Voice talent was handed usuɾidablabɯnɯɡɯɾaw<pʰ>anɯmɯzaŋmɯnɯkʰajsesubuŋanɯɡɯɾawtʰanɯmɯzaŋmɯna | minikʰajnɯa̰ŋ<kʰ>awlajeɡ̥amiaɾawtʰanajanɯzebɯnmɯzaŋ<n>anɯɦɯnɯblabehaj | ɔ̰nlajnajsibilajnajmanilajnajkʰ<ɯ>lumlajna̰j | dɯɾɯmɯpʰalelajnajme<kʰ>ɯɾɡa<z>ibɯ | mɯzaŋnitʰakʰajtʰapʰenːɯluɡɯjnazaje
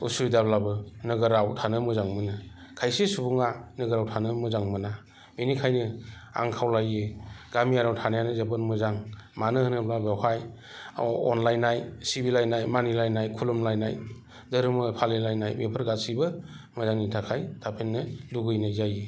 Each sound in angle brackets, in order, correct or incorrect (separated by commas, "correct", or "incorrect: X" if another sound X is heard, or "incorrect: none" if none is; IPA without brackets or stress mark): incorrect: tʰ, correct, incorrect: m, incorrect: u, incorrect: pʰ, incorrect: s